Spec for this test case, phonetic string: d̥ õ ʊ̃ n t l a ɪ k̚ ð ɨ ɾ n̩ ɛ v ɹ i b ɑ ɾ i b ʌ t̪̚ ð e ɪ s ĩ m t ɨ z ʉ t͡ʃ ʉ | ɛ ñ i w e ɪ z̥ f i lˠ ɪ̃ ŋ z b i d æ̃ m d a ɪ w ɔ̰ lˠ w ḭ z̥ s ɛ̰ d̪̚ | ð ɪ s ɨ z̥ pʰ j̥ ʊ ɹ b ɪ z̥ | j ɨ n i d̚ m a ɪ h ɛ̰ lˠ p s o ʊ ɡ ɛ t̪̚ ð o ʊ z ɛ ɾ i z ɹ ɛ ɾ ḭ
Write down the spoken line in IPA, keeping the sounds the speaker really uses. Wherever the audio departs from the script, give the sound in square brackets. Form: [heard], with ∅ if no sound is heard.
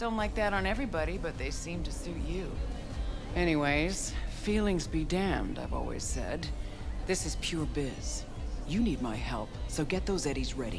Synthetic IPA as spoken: d̥ õ ʊ̃ n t l a ɪ k̚ ð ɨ ɾ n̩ ɛ v ɹ i b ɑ ɾ i b ʌ t̪̚ ð e ɪ s ĩ m t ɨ [s] ʉ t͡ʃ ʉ | ɛ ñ i w e ɪ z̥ f i lˠ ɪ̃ ŋ z b i d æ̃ m d a ɪ [v] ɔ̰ lˠ w ḭ z̥ s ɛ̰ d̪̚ | ð ɪ s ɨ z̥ pʰ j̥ ʊ ɹ b ɪ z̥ | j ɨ n i d̚ m a ɪ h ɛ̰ lˠ p s o ʊ ɡ ɛ t̪̚ ð o ʊ z ɛ ɾ i z ɹ ɛ ɾ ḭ